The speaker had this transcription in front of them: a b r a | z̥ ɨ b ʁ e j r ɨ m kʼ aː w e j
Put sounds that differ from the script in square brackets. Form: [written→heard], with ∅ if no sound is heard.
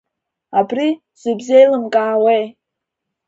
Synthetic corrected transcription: a b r [a→i] | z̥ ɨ b [ʁ→z] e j [r→l] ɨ m kʼ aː w e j